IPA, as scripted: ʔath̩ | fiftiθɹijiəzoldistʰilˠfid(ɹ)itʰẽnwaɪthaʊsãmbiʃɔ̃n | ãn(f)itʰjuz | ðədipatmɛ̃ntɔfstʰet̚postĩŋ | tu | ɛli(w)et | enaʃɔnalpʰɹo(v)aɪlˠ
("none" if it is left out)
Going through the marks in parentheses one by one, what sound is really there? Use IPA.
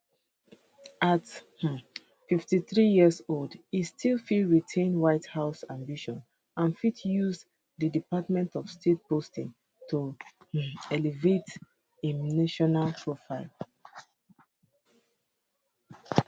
ɹ, f, v, f

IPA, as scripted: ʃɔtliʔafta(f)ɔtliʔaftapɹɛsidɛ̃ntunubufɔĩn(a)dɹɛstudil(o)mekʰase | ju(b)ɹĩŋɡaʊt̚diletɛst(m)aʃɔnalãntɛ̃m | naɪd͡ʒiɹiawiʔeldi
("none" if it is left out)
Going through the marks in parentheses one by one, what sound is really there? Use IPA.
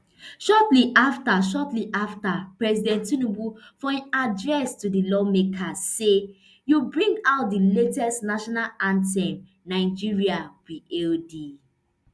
ʃ, a, ɔ, b, n

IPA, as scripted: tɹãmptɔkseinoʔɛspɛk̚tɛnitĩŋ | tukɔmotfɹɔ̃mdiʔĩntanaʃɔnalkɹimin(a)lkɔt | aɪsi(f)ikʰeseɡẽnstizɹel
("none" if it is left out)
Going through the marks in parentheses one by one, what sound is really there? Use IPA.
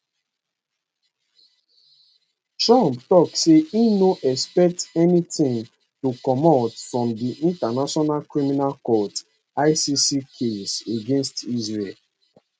a, s

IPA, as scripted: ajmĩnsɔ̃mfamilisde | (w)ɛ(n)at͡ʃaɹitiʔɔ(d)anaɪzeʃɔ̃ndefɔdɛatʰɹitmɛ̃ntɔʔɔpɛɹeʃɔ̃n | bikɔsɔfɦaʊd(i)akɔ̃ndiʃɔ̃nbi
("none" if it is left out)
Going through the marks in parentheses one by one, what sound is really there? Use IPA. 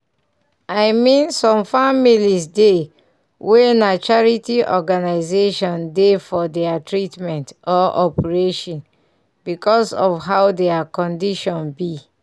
w, n, ɡ, ɛ

